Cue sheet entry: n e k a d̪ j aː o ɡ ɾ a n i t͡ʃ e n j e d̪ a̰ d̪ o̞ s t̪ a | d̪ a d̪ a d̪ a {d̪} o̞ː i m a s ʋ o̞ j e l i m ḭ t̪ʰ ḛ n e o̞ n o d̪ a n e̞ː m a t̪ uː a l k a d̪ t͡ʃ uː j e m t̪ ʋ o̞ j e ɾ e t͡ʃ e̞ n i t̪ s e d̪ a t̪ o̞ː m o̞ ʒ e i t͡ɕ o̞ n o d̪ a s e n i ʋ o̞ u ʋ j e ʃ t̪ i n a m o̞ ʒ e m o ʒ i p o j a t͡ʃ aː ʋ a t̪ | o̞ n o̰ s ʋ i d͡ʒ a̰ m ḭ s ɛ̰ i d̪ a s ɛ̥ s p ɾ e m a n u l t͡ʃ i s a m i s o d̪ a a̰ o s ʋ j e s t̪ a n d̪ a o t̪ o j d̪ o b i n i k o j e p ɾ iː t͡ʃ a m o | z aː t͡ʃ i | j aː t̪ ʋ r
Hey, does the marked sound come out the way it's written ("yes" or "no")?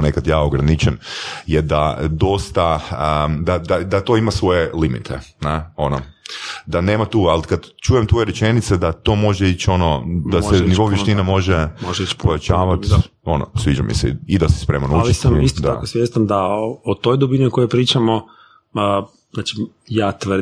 no